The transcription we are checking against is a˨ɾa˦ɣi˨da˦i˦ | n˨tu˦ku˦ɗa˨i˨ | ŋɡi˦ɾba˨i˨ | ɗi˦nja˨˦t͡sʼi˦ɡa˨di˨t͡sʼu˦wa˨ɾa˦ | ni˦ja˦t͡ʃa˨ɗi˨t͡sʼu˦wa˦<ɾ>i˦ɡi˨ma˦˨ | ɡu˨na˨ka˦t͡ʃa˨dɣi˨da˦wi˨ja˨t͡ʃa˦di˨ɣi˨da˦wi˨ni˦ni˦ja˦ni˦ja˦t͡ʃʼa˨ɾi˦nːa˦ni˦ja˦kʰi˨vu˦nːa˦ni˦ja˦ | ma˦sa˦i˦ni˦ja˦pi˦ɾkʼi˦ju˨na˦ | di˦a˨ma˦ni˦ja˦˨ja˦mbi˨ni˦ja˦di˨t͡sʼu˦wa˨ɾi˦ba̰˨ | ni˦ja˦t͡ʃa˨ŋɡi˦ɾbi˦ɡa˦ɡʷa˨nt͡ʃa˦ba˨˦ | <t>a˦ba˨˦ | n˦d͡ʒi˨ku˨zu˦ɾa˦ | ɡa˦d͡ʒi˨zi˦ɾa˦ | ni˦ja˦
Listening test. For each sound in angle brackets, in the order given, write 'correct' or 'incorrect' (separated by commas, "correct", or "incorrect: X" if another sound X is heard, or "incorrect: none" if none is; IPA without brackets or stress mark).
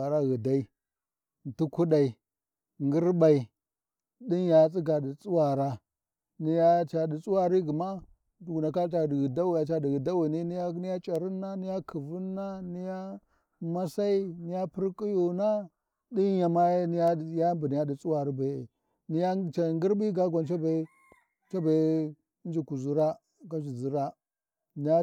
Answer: correct, incorrect: t͡ʃ